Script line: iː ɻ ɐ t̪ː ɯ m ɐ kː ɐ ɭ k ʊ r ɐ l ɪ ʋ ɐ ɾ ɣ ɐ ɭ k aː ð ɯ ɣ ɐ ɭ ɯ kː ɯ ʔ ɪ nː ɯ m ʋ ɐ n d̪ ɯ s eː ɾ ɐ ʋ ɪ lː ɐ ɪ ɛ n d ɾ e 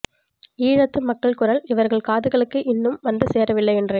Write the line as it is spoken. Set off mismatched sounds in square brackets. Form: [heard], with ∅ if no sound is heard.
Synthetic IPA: iː ɻ ɐ t̪ː ɯ m ɐ kː ɐ ɭ k ʊ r ɐ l ɪ ʋ ɐ ɾ ɣ ɐ ɭ k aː ð ɯ ɣ ɐ ɭ ɯ kː ɯ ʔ ɪ nː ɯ m ʋ ɐ n d̪ ɯ s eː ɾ ɐ ʋ ɪ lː ɐ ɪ ɛ n d [r] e